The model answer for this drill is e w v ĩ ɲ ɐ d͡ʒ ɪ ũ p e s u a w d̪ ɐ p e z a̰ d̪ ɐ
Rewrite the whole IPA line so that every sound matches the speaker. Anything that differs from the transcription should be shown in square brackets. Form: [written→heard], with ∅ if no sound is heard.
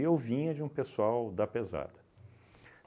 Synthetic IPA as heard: e w v ĩ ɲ ɐ d͡ʒ ɪ ũ p e s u a w d̪ ɐ p e z a̰ d̪ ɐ